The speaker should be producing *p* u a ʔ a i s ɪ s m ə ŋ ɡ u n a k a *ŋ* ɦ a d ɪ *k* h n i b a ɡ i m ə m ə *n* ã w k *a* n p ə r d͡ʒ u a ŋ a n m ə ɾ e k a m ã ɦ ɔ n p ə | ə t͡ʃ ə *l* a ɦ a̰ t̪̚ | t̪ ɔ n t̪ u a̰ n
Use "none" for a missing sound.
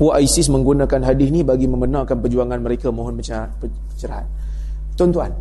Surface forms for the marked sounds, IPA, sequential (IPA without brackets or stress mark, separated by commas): p, n, none, n, a, ɾ